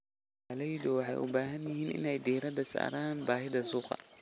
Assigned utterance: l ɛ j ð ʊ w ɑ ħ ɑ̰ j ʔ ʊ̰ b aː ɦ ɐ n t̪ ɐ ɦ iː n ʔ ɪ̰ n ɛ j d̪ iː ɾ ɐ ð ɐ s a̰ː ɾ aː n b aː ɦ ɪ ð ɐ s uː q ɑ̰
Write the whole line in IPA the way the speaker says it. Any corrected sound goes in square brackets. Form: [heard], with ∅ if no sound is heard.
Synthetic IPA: l ɛ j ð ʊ w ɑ ħ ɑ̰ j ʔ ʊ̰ b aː ɦ ɐ n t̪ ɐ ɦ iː n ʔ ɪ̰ n ɛ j d̪ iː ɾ ɐ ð ɐ s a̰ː ɾ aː n b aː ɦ ɪ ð ɐ s uː q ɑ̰